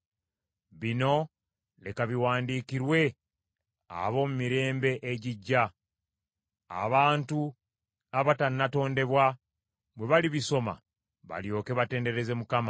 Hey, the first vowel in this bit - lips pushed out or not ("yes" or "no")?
no